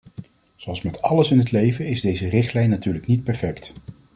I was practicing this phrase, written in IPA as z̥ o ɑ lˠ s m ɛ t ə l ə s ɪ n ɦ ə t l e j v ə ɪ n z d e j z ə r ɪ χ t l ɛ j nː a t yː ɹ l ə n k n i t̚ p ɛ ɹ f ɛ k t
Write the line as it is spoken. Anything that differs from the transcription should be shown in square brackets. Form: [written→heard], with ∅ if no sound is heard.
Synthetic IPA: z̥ o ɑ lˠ s m ɛ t [ə→ɑ] l ə s ɪ n ɦ ə t l e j v ə ɪ [n→∅] z d e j z ə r ɪ χ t l ɛ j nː a t yː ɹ l ə [n→∅] k n i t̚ p ɛ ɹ f ɛ k t